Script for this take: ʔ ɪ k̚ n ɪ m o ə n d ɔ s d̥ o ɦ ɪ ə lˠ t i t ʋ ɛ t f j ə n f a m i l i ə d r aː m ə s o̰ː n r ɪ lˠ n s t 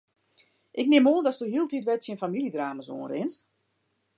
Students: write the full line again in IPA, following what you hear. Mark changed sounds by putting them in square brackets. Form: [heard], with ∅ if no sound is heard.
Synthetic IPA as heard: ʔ ɪ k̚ n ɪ m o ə n d ɔ s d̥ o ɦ [i] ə lˠ t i t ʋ ɛ t [s] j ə n f a m i l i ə d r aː m ə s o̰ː n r ɪ [∅] n s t